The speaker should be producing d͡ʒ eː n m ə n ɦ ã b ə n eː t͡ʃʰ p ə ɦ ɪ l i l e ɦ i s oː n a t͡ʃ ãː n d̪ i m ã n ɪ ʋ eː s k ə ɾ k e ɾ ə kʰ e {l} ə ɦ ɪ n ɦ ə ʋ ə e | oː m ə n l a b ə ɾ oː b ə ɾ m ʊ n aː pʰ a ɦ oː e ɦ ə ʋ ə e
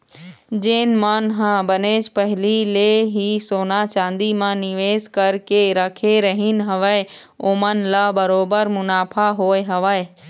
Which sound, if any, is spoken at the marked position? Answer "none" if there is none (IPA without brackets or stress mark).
ɾ